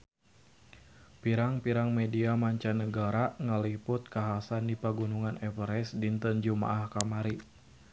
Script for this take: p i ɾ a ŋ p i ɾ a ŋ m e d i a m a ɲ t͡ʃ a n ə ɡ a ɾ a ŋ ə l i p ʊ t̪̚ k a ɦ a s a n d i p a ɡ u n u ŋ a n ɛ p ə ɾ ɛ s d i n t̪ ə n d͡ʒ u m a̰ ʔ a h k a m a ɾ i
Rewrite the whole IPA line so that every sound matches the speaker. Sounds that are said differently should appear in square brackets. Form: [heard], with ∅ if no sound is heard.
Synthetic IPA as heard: p i ɾ a ŋ p i ɾ a ŋ m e d i a m a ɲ t͡ʃ a n ə ɡ a ɾ a ŋ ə l i p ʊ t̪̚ k a ɦ a s a n d i p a ɡ u n u ŋ a n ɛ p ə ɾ ɛ s d i n t̪ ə n d͡ʒ u m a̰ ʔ a h k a m a ɾ i